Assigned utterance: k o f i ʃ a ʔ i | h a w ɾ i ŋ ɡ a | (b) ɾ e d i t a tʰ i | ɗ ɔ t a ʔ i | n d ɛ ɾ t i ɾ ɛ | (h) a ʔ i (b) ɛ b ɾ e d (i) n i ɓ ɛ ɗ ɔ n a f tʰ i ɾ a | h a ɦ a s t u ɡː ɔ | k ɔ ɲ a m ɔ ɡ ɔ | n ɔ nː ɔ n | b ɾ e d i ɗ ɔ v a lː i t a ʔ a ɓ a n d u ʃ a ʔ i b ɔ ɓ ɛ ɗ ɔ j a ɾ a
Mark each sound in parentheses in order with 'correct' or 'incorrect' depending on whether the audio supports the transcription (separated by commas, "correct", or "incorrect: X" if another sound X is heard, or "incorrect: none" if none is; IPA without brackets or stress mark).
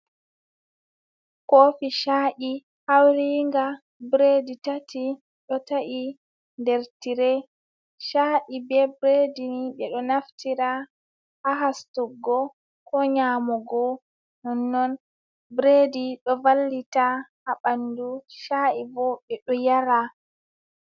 correct, incorrect: ʃ, correct, correct